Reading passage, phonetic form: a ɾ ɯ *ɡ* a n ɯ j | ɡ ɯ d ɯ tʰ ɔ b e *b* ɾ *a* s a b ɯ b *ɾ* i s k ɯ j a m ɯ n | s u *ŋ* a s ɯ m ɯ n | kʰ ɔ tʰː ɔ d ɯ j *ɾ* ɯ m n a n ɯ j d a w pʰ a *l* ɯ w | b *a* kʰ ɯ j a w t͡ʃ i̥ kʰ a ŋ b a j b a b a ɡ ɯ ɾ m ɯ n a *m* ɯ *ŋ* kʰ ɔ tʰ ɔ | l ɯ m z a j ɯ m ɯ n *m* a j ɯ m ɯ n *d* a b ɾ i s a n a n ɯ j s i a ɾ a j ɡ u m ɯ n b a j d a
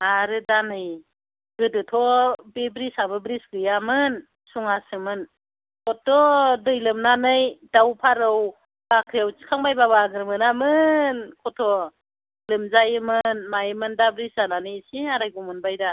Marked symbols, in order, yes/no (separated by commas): no, yes, no, yes, yes, no, no, yes, yes, no, yes, yes